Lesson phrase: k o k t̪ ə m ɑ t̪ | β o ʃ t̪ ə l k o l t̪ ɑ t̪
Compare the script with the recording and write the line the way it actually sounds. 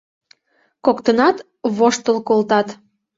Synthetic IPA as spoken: k o k t̪ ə n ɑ t̪ | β o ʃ t̪ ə l k o l t̪ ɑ t̪